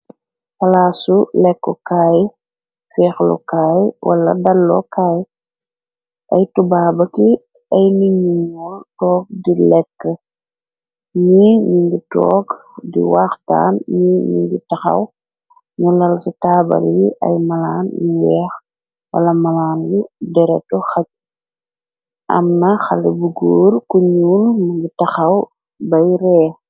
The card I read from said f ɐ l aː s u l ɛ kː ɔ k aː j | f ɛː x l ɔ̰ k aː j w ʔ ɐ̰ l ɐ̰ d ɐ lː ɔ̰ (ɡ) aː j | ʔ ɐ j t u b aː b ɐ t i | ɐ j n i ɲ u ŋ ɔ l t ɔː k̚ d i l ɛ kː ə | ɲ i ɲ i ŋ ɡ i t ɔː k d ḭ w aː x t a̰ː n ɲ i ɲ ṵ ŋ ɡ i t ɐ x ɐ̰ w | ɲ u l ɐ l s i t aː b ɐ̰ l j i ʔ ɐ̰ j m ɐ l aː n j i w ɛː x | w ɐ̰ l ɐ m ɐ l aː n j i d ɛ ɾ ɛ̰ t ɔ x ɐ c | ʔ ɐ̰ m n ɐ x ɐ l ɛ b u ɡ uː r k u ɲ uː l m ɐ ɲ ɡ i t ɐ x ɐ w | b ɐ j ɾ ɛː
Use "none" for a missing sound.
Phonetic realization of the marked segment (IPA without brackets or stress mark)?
k